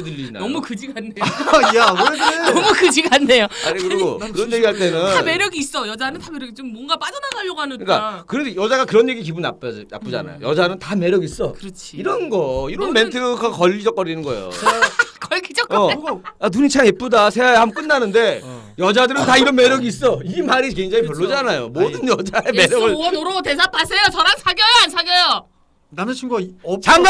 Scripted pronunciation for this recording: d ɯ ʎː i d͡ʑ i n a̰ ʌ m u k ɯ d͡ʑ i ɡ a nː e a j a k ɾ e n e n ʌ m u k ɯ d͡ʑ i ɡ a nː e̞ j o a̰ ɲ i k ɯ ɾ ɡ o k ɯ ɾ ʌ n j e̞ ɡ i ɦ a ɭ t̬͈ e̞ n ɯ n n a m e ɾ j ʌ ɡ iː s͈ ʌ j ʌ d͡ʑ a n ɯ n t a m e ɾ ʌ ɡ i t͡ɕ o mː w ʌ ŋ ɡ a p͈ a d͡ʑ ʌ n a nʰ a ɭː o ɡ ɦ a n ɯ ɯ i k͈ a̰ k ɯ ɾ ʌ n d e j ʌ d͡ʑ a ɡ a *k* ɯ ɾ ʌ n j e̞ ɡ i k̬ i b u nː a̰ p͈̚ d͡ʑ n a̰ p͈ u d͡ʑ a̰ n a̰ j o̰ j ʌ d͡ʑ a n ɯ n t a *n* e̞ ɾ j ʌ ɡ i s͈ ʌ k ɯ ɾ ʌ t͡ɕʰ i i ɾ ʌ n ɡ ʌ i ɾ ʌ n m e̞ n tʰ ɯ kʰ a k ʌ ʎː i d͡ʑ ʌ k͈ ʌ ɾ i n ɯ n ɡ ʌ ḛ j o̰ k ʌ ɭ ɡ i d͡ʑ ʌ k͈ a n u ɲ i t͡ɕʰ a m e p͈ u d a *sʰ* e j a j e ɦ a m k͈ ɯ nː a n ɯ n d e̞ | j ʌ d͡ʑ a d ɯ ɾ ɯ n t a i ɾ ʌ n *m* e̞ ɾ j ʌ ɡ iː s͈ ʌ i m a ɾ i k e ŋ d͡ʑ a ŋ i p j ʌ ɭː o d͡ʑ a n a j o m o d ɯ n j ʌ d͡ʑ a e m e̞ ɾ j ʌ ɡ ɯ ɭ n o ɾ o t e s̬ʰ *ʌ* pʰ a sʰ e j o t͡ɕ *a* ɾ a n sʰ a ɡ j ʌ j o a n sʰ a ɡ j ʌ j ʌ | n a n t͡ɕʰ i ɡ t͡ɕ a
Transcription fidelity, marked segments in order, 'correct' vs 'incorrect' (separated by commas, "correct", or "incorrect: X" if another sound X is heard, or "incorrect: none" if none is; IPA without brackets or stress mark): correct, incorrect: m, correct, correct, incorrect: a, incorrect: ʌ